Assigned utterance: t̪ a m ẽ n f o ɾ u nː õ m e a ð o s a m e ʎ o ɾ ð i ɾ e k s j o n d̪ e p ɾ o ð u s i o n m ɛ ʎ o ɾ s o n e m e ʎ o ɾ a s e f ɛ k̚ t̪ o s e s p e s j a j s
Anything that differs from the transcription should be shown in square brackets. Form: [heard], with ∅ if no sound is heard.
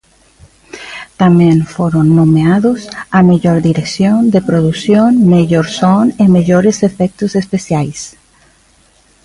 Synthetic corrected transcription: t̪ a m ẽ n f o ɾ [o] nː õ m e a ð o s a m e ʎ o ɾ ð i ɾ e k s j o n d̪ e p ɾ o ð u s [j] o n m [e] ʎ o ɾ s o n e m e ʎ o ɾ [e] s e f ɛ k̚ t̪ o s e s p e s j a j s